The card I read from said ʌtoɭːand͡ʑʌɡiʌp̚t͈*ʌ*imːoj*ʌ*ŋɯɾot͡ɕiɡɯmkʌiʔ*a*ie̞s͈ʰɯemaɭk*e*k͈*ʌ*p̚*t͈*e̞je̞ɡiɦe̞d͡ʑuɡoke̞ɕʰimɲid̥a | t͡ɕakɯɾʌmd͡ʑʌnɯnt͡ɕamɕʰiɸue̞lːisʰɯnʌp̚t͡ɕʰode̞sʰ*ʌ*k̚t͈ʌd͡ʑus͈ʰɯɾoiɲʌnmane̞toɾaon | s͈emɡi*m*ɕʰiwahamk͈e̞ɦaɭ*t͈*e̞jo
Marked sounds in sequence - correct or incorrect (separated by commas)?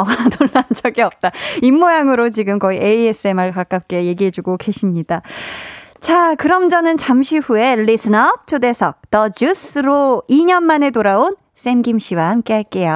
incorrect, incorrect, incorrect, incorrect, incorrect, incorrect, correct, correct, incorrect